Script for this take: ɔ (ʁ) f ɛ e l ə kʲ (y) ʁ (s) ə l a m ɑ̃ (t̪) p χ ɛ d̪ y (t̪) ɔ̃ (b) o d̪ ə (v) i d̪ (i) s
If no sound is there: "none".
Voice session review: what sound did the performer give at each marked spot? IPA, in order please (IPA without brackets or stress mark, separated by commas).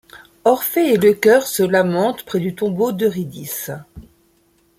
ʁ, œ, s, t̪, t̪, b, ʁ, i